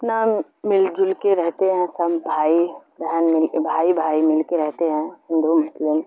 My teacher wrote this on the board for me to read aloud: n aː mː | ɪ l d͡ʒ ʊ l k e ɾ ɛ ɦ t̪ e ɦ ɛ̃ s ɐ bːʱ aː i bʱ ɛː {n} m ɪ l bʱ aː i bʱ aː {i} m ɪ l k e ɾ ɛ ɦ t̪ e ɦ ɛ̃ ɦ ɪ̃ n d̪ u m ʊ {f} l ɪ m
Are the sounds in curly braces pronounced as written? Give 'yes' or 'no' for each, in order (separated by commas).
yes, yes, no